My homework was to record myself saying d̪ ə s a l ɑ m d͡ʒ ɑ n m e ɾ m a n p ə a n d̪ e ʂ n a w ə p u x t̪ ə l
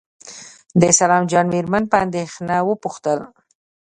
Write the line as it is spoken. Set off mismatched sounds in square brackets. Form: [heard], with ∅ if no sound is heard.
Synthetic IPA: d̪ ə s a l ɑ m d͡ʒ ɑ n m e ɾ m a n p ə a n d̪ e [x] n a w ə p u x t̪ ə l